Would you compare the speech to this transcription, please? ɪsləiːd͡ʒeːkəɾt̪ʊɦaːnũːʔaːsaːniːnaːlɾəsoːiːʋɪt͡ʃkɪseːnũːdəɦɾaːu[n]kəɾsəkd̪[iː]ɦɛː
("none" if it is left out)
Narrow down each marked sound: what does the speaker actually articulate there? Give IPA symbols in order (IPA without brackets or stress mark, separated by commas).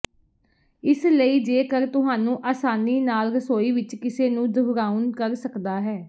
n, aː